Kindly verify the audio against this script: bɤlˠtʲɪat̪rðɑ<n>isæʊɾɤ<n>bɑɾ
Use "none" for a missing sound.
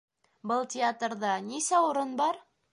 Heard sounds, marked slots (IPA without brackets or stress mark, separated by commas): n, n